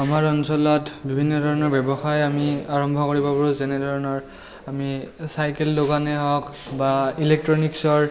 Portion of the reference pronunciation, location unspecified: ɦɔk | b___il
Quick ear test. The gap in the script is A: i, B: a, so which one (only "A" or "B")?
B